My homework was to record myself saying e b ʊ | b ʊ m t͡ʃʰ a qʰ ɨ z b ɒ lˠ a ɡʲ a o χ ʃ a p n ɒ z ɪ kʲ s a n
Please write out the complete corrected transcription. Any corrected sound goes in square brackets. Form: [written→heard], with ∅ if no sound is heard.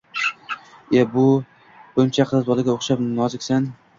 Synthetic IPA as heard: e b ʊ | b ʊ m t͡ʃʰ a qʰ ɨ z b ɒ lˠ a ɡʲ a o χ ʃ a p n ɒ z ɪ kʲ s a n